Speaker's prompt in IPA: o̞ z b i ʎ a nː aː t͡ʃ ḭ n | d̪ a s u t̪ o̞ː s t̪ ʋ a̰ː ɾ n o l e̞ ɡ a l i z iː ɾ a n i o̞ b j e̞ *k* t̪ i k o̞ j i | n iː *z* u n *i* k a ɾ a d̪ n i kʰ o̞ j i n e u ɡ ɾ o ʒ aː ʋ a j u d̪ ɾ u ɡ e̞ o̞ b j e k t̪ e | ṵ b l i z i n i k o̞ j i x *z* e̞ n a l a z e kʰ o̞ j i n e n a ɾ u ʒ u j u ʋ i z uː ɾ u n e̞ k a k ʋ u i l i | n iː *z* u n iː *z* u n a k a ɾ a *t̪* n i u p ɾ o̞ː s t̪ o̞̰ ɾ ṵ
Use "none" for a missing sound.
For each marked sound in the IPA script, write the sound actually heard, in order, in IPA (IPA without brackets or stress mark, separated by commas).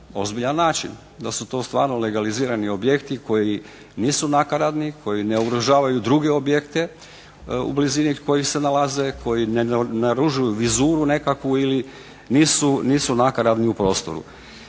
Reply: k, s, a, s, s, s, d̪